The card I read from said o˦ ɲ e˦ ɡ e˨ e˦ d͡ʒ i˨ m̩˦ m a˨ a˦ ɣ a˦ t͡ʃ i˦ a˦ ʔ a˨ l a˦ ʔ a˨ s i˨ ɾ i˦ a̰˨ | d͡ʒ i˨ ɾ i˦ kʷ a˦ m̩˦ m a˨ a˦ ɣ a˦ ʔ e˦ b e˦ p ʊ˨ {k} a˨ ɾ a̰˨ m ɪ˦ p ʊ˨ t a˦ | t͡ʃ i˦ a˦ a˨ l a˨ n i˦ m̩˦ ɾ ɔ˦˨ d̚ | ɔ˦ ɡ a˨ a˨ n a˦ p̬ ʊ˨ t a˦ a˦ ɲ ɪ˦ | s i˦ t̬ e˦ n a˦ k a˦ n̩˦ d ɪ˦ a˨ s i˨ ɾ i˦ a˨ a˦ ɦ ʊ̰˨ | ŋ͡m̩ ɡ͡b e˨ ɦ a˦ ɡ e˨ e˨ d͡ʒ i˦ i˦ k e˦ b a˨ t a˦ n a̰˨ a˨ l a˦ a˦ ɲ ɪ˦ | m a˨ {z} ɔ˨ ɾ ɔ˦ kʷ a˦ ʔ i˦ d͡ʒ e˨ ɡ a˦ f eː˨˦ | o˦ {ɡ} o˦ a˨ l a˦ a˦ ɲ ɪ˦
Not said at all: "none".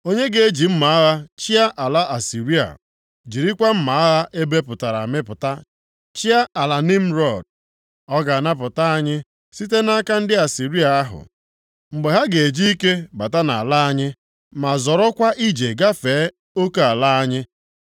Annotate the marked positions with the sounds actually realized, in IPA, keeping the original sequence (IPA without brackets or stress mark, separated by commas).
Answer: t, z, k